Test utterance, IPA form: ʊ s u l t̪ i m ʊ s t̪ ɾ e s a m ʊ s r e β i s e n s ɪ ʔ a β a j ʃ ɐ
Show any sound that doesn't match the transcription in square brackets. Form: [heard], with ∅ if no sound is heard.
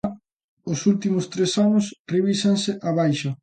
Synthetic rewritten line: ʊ s u l t̪ i m ʊ s t̪ ɾ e s a [n] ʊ s r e β i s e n s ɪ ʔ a β a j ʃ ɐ